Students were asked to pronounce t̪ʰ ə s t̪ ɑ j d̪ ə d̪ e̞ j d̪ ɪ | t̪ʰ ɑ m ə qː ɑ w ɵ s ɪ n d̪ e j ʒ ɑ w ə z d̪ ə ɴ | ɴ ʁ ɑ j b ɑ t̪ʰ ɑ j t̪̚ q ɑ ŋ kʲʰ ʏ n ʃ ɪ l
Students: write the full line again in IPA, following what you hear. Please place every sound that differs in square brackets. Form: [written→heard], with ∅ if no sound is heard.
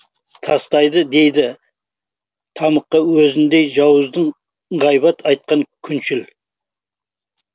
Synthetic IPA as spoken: t̪ʰ [ə→ɑ] s t̪ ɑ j d̪ ə d̪ e̞ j d̪ ɪ | t̪ʰ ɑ m ə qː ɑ w ɵ [s→z] ɪ n d̪ e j ʒ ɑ w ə z d̪ ə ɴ | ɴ ʁ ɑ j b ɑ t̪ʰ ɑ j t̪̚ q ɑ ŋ kʲʰ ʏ n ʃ ɪ l